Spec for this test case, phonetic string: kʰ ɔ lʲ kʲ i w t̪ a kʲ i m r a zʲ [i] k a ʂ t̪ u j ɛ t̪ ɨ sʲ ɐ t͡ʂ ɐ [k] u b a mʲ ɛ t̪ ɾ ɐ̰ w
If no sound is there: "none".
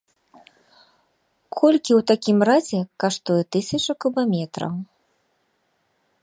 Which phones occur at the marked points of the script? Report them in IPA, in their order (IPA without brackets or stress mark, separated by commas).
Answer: ɛ, k